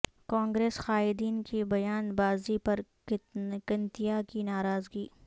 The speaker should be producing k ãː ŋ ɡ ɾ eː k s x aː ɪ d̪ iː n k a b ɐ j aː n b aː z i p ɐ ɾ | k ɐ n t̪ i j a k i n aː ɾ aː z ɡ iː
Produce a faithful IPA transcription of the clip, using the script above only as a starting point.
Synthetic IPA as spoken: k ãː ŋ ɡ ɾ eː s x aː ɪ d̪ iː n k i b ɐ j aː n b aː z i p ɐ ɾ | k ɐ n t̪ i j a k i n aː ɾ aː z ɡ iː